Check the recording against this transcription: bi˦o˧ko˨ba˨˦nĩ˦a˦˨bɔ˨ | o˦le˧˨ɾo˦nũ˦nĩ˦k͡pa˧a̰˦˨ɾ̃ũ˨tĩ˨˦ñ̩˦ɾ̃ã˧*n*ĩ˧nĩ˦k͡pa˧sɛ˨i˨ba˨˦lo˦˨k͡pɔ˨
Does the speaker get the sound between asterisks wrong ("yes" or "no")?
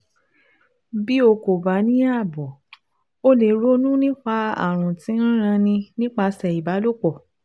no